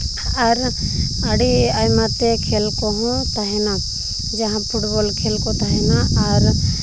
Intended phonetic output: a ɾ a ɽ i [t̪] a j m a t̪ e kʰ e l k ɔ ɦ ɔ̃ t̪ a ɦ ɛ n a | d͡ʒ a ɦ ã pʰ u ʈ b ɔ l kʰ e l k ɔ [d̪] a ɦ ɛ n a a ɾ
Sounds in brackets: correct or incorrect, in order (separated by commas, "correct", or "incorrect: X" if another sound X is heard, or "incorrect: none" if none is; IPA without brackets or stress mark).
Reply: incorrect: none, incorrect: t̪